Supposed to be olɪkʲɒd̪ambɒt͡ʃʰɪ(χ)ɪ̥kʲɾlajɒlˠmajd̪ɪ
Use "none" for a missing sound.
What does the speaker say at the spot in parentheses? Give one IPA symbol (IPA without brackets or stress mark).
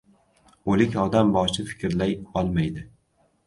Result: f